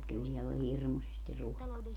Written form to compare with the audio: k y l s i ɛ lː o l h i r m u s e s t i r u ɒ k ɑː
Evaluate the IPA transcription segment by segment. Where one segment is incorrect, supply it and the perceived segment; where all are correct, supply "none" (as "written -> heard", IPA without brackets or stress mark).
ɒ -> o